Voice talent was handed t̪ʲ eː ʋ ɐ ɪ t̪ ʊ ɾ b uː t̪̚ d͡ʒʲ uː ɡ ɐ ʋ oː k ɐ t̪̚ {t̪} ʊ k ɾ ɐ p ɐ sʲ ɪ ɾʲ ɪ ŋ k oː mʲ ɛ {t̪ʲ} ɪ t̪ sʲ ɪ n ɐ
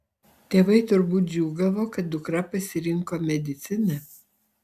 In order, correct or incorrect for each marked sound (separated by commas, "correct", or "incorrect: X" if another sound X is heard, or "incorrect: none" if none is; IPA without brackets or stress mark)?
incorrect: d̪, incorrect: d̪ʲ